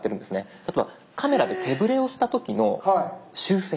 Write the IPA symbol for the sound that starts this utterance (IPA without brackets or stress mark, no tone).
e̞